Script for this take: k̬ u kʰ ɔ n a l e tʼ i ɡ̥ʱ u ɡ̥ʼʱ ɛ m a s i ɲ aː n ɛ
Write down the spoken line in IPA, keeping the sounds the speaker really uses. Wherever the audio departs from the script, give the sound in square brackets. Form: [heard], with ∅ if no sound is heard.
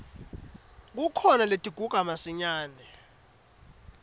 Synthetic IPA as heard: k̬ u kʰ ɔ n a l e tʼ i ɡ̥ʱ u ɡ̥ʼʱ [a] m a s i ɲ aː n ɛ